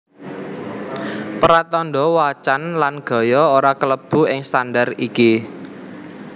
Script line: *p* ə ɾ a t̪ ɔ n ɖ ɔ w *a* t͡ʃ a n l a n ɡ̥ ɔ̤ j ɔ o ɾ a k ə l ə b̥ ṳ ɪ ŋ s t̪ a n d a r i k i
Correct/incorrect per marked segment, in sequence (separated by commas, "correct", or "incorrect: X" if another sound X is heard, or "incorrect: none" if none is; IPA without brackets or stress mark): correct, correct